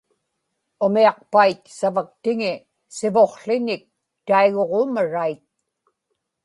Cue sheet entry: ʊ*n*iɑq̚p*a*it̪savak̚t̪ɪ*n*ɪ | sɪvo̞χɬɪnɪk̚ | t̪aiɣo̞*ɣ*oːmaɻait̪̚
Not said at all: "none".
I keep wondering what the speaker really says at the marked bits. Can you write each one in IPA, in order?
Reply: m, a, ŋ, ʁ

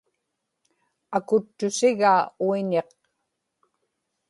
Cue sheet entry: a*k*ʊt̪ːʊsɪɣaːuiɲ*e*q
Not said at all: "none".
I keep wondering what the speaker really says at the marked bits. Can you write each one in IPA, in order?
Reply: k, e

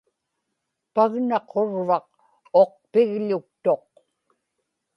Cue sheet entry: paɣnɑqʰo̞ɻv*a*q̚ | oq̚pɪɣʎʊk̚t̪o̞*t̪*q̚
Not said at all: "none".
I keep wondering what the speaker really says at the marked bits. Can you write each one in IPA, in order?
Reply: ɑ, none

